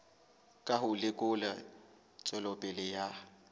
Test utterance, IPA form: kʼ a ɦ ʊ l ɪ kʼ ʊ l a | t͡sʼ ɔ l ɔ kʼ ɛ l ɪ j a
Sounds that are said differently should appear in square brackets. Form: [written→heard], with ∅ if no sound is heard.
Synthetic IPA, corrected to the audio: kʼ a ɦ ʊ l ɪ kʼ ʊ l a | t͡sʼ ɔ l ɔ [kʼ→pʼ] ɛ l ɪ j a

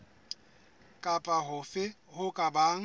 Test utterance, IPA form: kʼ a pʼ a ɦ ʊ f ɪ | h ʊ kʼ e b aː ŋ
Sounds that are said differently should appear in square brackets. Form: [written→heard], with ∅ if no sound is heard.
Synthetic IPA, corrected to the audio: kʼ a pʼ a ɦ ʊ f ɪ | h ʊ kʼ [e→a] b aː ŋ

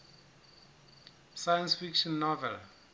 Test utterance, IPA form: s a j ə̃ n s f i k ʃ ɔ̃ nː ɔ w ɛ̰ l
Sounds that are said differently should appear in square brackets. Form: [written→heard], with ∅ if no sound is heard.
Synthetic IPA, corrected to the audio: s a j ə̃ n s f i k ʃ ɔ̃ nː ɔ [w→v] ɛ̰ l

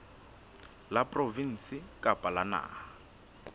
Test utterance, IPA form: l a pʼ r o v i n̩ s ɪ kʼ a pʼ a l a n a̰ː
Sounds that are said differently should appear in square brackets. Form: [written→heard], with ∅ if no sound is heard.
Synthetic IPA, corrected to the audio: l a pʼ r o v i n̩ s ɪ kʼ a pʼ a l a n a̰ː

